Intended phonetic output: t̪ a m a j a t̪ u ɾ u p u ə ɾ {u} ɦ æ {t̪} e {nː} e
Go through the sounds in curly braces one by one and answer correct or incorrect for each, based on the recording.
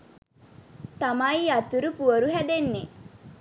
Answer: correct, incorrect: d̪, correct

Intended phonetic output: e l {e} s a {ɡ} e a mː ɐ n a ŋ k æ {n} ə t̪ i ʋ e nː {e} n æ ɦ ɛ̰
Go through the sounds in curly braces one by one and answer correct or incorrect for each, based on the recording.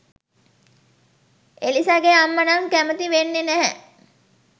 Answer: incorrect: i, correct, incorrect: m, correct

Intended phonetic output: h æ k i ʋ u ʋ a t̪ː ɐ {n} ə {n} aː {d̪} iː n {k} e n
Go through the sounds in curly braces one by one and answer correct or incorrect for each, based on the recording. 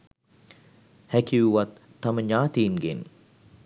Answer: incorrect: m, incorrect: ɲ, incorrect: t̪, incorrect: ɡ

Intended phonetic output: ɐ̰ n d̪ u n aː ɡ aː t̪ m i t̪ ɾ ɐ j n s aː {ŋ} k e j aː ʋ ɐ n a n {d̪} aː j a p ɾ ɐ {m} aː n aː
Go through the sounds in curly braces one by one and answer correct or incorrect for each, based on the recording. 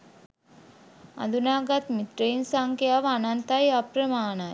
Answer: correct, incorrect: t̪, correct

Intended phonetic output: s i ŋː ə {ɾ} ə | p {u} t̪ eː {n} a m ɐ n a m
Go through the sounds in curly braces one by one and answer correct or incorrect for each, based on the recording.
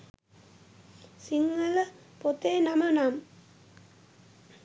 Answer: incorrect: l, incorrect: o, correct

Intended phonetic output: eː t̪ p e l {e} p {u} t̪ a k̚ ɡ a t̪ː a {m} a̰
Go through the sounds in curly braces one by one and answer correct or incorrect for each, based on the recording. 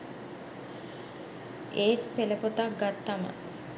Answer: correct, incorrect: o, correct

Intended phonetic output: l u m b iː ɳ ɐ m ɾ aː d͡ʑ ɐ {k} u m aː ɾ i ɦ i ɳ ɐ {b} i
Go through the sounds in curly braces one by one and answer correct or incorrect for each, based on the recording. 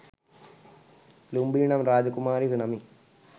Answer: correct, incorrect: m

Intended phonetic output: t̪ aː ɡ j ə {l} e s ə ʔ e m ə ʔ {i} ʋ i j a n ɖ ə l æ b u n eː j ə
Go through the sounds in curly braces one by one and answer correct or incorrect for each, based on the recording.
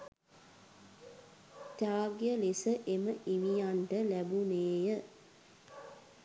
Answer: correct, correct

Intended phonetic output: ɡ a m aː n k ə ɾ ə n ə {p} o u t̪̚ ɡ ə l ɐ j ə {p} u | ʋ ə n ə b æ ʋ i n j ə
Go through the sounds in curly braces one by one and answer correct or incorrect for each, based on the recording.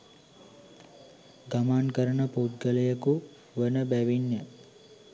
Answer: correct, incorrect: k

